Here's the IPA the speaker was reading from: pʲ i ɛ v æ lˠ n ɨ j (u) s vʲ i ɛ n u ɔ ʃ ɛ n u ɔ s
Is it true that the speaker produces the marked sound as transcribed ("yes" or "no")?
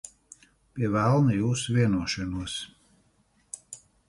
no